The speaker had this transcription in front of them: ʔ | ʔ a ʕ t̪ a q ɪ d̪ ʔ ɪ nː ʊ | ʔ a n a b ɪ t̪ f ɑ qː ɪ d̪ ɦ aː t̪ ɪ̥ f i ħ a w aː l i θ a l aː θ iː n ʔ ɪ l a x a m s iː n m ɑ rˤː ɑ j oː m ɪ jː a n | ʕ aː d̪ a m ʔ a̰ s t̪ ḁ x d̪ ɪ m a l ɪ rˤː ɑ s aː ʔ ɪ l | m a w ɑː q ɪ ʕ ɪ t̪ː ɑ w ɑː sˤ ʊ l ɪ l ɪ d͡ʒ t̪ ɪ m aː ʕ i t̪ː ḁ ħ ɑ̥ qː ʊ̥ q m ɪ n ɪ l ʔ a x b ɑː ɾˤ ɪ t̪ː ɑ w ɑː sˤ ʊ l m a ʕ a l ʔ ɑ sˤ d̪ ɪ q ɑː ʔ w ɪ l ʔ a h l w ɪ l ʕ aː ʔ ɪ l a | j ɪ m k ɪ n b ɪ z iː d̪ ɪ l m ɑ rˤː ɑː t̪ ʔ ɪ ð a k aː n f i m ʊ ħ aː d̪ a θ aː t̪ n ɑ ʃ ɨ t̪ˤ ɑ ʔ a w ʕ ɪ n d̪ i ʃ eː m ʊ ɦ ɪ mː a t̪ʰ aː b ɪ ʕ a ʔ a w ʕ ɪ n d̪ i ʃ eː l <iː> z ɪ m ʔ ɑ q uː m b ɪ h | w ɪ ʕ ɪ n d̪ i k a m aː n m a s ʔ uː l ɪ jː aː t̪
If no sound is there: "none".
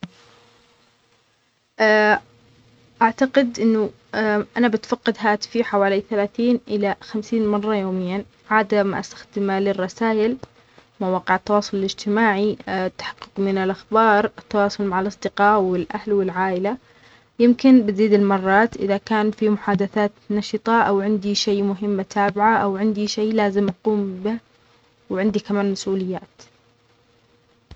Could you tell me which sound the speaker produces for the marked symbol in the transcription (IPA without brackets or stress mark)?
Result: aː